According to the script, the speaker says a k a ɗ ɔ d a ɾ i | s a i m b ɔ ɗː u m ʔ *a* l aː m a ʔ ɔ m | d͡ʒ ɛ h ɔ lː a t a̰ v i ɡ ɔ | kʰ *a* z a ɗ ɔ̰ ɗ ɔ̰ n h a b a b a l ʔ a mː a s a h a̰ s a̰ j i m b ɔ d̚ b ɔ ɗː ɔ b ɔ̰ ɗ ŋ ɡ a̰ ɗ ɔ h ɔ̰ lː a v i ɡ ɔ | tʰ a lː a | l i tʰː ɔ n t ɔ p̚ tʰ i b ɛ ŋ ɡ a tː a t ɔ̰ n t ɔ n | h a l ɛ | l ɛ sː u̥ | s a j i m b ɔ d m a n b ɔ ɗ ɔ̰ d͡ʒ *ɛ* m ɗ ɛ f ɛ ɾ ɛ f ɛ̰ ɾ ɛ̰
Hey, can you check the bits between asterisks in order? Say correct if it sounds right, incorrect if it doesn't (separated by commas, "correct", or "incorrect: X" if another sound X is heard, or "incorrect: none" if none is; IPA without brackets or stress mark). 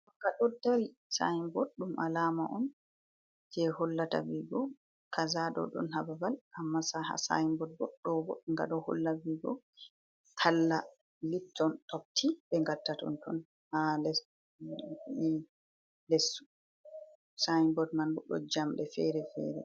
correct, correct, incorrect: a